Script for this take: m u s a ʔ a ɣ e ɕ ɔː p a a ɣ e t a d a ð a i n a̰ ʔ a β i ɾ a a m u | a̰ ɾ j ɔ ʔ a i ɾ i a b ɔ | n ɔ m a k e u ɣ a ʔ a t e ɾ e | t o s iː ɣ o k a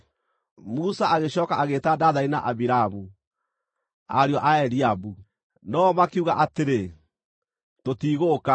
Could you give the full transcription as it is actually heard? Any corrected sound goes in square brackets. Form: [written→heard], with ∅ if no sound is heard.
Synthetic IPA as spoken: m u s a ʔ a ɣ e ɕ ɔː [p→k] a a ɣ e t a d a ð a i n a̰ ʔ a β i ɾ a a m u | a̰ ɾ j ɔ ʔ a [i→ɛ] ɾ i a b [ɔ→u] | n ɔ m a k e u ɣ a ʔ a t e ɾ e | t o [s→t] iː ɣ o k a